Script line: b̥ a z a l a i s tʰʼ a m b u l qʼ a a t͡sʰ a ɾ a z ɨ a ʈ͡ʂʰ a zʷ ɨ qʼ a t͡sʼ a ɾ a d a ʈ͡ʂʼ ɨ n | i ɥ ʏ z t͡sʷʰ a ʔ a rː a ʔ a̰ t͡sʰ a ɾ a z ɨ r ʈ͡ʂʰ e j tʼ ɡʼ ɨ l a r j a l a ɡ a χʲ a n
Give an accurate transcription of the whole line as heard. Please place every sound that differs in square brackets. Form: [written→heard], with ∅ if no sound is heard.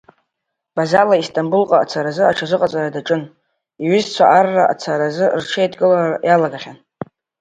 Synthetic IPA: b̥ a z a l a i s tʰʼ a m b u l qʼ a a t͡sʰ a ɾ a z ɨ a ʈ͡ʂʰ a zʷ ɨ qʼ a t͡sʼ a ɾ a d a ʈ͡ʂʼ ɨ n | i ɥ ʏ z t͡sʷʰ a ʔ a rː a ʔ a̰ t͡sʰ a ɾ a z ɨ r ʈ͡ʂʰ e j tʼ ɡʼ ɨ l a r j a l a ɡ a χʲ a n